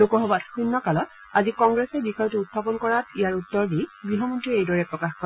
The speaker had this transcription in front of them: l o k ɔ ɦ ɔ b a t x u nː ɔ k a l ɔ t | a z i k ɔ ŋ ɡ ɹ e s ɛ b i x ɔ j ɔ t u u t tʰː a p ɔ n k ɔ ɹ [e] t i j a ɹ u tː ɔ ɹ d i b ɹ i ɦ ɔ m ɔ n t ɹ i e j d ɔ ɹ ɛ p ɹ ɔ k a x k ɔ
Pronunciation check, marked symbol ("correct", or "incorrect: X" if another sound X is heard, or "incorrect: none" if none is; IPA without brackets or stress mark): incorrect: a